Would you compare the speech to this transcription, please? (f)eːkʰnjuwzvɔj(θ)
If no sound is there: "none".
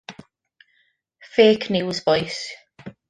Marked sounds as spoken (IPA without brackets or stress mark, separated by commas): f, s